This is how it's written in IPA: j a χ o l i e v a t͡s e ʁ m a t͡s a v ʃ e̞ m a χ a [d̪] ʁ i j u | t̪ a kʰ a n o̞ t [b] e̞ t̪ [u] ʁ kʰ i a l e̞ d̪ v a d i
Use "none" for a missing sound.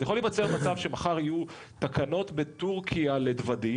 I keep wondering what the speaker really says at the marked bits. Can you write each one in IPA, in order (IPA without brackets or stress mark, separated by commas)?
none, b, u